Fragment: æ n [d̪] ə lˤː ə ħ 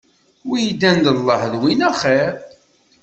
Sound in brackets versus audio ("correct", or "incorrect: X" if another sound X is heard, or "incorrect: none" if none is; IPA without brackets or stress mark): correct